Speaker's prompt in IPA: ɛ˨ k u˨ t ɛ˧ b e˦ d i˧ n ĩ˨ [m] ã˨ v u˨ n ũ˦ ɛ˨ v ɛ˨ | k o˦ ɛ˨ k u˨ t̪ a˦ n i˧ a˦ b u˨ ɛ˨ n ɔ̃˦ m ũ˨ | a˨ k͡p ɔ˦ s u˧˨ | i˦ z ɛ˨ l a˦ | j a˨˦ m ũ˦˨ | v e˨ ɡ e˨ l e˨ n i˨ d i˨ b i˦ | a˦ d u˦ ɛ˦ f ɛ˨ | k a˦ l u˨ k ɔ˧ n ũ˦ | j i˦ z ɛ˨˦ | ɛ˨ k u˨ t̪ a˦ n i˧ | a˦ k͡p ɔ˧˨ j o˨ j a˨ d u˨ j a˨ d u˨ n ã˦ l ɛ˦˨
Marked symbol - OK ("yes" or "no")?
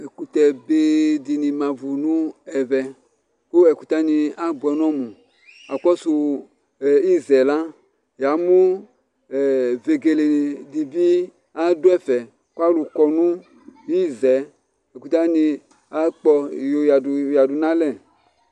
yes